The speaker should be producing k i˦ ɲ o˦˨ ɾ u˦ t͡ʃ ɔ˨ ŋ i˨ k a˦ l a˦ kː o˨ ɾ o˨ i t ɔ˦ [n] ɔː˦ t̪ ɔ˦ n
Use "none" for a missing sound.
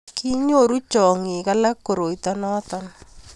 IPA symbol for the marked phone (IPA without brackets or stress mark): n